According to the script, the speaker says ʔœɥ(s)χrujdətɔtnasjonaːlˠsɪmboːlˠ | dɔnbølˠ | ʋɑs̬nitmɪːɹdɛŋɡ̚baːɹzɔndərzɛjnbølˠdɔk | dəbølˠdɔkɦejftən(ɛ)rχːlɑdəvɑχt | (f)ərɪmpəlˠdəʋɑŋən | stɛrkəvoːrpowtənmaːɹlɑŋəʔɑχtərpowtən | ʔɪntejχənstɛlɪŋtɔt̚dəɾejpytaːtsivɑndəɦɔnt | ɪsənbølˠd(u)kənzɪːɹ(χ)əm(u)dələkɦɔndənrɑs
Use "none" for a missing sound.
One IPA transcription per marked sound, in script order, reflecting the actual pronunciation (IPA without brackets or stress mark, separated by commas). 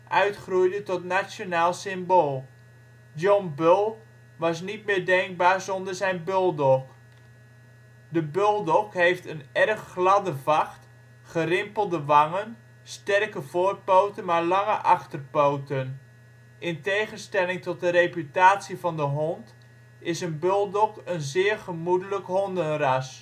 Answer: t, ɛ, χ, ɔ, χ, u